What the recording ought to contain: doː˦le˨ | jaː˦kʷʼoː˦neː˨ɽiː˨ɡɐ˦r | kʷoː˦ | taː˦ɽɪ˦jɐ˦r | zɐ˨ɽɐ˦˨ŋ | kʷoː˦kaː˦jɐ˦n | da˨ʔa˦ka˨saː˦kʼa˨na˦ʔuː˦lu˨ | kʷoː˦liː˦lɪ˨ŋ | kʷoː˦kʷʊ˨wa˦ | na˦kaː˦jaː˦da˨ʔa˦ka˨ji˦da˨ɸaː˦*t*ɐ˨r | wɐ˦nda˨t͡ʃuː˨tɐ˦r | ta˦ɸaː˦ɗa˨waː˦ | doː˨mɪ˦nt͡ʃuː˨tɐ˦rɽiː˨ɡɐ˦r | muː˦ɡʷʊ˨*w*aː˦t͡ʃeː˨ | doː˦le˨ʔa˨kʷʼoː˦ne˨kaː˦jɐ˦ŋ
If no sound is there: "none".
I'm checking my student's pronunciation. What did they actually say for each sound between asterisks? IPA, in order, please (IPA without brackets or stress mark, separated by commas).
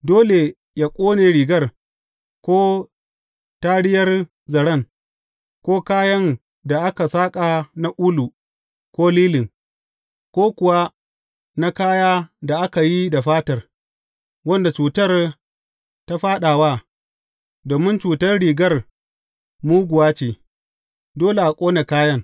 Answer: t, w